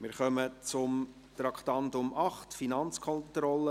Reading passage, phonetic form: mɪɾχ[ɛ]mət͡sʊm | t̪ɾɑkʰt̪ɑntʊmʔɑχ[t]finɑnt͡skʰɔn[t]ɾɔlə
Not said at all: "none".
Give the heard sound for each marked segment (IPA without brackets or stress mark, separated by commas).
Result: œ, t, t